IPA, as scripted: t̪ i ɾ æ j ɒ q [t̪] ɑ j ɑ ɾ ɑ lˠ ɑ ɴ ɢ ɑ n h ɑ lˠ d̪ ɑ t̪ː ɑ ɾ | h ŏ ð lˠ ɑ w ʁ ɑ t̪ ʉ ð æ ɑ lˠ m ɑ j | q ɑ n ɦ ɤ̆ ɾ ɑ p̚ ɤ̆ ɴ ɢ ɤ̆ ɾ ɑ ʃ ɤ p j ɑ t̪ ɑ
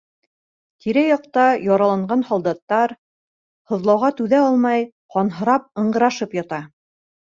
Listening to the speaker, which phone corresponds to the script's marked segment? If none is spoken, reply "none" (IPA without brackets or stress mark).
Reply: t̪